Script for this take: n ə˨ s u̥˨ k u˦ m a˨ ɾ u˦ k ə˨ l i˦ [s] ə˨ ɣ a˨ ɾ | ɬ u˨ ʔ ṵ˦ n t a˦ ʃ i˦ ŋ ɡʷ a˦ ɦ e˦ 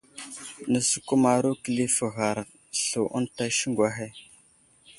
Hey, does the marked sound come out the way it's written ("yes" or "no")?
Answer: no